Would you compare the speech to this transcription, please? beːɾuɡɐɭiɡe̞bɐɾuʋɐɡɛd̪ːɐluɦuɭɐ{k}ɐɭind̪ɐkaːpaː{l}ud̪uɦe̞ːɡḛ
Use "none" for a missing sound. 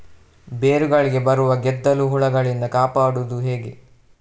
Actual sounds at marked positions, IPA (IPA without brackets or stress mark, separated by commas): ɡ, ɽ